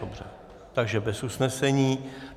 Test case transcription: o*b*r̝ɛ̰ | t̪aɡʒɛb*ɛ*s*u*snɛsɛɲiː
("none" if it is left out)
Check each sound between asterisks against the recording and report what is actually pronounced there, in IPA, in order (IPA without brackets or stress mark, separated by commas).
b, ɛ, u